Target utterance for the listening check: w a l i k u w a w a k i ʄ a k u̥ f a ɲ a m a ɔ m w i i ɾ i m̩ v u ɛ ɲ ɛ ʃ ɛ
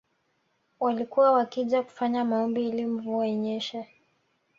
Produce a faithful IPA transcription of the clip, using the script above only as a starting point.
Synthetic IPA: w a l i k u w a w a k i ʄ a k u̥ f a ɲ a m a ɔ m b i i l i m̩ v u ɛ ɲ ɛ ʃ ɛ